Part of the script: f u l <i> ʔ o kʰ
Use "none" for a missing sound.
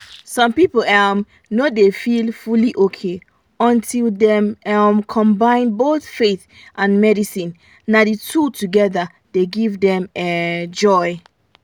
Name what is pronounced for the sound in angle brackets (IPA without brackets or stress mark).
i